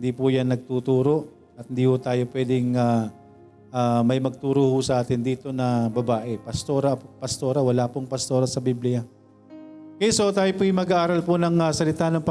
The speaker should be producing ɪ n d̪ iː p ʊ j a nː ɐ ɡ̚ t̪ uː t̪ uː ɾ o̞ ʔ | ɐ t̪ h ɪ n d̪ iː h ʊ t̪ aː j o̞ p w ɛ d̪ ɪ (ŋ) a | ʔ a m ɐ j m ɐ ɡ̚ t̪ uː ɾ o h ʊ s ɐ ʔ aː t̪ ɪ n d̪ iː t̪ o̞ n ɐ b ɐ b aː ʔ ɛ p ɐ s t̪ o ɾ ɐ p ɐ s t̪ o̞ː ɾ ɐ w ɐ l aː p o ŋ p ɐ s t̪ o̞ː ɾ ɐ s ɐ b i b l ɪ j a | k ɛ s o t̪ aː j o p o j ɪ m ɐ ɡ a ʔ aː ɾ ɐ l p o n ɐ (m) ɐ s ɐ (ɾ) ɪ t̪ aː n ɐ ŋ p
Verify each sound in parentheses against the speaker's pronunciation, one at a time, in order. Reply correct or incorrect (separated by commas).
correct, incorrect, incorrect